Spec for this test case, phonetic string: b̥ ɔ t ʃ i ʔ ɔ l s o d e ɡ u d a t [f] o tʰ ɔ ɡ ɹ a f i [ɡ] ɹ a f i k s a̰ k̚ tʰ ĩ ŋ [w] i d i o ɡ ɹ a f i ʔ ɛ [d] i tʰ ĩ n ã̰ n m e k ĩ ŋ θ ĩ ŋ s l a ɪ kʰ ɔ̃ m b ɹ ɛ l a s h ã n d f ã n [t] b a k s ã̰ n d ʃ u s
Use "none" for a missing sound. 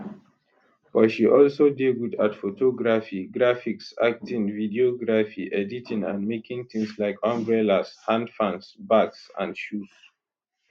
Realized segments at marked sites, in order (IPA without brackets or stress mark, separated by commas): f, ɡ, v, d, s